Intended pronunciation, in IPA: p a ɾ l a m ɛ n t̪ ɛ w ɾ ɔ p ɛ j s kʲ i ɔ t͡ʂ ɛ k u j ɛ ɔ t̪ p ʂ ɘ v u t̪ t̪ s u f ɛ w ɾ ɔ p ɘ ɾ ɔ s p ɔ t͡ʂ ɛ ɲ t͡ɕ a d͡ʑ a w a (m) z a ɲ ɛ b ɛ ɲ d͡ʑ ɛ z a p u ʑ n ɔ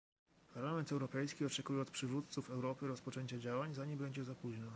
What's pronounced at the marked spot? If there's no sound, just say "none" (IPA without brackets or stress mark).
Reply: ɲ